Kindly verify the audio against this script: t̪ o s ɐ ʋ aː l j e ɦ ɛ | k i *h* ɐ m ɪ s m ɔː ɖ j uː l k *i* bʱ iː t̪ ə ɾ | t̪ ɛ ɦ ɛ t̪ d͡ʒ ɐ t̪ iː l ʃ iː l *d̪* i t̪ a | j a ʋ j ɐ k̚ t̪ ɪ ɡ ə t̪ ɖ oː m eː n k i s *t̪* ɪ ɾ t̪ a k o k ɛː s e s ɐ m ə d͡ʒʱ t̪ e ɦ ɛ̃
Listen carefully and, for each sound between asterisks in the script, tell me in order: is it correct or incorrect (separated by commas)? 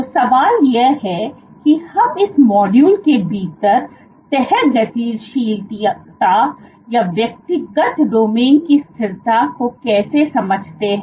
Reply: correct, incorrect, incorrect, incorrect